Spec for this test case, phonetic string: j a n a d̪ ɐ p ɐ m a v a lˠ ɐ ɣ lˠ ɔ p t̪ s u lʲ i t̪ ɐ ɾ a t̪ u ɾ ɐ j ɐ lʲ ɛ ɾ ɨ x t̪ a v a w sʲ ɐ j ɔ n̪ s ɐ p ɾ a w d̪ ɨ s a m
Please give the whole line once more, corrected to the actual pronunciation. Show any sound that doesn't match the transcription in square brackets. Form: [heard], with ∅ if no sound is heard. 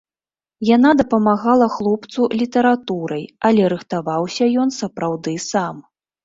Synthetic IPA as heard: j a n a d̪ ɐ p ɐ m a [ɣ] a lˠ ɐ [x] lˠ ɔ p t̪ s u lʲ i t̪ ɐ ɾ a t̪ u ɾ ɐ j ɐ lʲ ɛ ɾ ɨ x t̪ a v a w sʲ ɐ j ɔ n̪ s ɐ p ɾ a w d̪ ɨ s a m